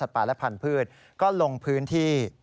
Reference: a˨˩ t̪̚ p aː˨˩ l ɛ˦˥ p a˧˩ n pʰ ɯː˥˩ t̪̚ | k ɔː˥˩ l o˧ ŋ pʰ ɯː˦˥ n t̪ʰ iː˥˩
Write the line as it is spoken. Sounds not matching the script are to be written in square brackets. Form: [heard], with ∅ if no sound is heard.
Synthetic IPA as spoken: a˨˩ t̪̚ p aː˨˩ l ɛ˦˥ [pʰ] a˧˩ n pʰ ɯː˥˩ t̪̚ | k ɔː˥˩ l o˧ ŋ pʰ ɯː˦˥ n t̪ʰ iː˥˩